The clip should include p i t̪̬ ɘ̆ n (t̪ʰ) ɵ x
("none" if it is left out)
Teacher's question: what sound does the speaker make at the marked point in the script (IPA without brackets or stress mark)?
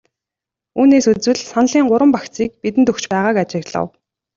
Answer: t̪